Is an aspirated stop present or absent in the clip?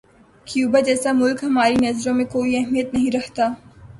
absent